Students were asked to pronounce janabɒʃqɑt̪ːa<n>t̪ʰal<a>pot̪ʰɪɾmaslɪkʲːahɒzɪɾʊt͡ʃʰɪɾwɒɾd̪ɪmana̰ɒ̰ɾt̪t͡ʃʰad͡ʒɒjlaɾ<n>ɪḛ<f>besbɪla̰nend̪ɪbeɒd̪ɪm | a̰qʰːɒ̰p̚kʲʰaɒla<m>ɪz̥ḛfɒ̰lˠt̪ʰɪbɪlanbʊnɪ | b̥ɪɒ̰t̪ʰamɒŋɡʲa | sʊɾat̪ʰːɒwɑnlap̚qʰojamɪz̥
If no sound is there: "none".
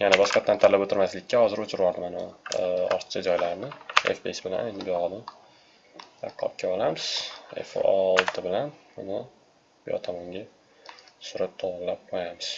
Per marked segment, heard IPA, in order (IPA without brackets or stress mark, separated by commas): n, a, n, f, m